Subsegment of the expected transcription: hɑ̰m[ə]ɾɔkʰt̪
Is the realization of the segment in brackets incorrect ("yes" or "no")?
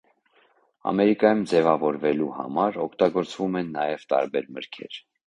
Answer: yes